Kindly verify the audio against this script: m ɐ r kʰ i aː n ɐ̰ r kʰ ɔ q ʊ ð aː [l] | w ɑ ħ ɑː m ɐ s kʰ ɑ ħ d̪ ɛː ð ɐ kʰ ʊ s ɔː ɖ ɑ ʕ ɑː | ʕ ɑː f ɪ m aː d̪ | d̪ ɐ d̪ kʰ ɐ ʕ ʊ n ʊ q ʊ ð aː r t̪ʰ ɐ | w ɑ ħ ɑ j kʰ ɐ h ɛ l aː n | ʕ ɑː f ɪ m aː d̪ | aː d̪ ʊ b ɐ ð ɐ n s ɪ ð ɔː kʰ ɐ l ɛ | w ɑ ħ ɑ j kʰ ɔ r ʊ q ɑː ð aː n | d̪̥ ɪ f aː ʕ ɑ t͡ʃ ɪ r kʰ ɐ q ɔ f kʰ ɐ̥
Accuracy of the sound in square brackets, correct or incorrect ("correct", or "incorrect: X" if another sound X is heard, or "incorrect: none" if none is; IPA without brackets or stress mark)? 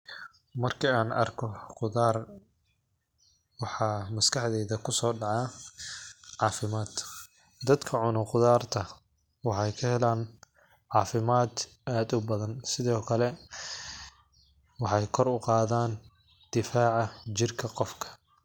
incorrect: r